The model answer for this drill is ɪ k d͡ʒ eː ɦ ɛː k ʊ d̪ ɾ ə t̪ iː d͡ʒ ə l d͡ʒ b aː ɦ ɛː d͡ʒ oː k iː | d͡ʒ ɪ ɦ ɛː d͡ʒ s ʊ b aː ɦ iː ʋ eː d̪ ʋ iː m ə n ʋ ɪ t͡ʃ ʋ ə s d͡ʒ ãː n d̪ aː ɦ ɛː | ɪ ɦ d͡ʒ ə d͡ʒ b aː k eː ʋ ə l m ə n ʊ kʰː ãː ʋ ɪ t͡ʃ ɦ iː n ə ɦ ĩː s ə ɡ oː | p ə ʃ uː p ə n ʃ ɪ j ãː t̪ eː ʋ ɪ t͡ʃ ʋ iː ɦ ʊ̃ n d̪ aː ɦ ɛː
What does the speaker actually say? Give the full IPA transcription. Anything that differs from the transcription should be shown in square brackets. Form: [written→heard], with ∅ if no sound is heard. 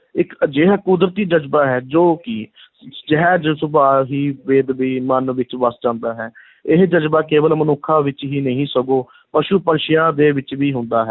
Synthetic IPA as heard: ɪ k d͡ʒ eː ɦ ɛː k ʊ d̪ ɾ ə t̪ iː d͡ʒ ə [l→∅] d͡ʒ b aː ɦ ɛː d͡ʒ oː k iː | d͡ʒ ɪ ɦ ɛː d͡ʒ s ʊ b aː ɦ iː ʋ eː d̪ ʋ iː m ə n ʋ ɪ t͡ʃ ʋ ə s d͡ʒ ãː n d̪ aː ɦ ɛː | ɪ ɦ d͡ʒ ə d͡ʒ b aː k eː ʋ ə l m ə n ʊ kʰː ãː ʋ ɪ t͡ʃ ɦ iː n ə ɦ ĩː s ə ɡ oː | p ə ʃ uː p ə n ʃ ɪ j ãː [t̪→d̪] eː ʋ ɪ t͡ʃ ʋ iː ɦ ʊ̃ n d̪ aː ɦ ɛː